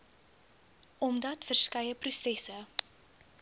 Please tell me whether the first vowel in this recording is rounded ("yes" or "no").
yes